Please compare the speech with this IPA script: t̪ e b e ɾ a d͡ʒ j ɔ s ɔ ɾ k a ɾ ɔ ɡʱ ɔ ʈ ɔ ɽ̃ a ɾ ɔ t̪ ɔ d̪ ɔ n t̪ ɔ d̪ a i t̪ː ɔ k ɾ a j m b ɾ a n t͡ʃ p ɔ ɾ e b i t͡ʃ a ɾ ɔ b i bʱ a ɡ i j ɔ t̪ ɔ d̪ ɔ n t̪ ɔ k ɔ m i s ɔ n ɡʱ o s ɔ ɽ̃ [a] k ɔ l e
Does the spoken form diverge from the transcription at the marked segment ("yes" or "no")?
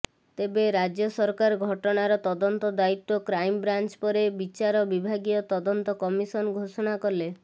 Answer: no